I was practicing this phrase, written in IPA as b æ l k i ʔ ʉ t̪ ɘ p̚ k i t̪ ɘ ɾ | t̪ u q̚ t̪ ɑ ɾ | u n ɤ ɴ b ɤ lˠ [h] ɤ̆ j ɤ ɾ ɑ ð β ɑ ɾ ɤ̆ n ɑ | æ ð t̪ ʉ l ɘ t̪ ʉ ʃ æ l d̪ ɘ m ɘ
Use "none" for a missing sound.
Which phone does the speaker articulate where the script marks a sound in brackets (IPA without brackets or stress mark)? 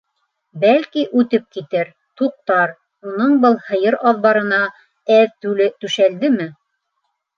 h